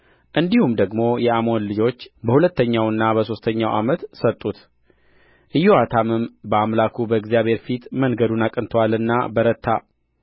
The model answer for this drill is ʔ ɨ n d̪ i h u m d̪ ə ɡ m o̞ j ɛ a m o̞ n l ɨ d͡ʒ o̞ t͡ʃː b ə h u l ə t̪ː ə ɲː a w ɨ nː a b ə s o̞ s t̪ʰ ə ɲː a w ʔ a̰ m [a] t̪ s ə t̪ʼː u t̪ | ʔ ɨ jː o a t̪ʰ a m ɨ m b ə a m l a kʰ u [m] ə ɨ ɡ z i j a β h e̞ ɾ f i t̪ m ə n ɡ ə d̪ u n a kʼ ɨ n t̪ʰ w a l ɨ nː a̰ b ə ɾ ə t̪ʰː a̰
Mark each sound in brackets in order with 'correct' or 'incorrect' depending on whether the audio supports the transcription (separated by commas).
incorrect, incorrect